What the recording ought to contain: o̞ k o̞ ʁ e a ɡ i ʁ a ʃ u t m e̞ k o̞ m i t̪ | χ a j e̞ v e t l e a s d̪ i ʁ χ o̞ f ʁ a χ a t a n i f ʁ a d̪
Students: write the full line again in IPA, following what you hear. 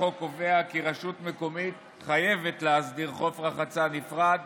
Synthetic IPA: o̞ k o̞ v e a k i ʁ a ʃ u t m e̞ k o̞ m i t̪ | χ a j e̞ v e t l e a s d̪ i ʁ χ o̞ f ʁ a χ a t͡s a n i f ʁ a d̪